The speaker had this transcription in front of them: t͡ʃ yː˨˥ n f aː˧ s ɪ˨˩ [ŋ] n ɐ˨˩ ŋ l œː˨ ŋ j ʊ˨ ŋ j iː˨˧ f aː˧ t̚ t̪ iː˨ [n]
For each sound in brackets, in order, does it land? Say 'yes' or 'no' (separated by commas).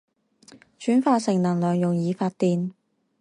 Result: yes, yes